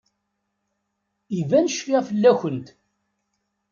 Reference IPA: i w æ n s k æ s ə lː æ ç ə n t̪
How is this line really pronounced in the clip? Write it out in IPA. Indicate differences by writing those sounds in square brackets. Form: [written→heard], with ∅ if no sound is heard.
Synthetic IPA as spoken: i [w→v] æ n [s→ʃ] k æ [s→f] ə lː æ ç ə n t̪